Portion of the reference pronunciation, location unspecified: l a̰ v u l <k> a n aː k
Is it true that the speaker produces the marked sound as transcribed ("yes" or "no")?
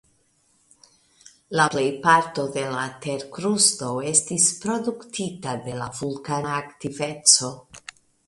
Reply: yes